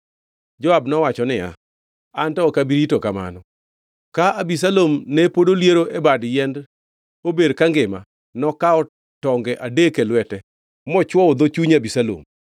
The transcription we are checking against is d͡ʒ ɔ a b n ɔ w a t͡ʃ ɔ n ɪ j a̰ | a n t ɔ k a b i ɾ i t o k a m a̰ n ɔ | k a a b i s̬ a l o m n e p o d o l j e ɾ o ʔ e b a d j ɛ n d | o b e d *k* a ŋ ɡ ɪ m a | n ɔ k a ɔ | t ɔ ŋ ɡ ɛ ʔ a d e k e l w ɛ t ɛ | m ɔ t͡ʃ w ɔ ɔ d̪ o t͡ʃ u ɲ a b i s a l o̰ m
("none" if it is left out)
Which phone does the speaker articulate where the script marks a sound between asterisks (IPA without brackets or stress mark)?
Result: k